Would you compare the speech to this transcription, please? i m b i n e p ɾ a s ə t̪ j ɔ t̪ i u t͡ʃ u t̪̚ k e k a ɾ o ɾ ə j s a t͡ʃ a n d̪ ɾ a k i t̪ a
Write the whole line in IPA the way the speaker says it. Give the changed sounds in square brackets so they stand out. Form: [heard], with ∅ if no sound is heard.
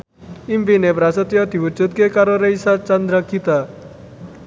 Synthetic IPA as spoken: i m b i n e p ɾ a s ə t̪ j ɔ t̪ i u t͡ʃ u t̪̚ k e k a ɾ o ɾ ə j s a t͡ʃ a n d̪ ɾ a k i t̪ a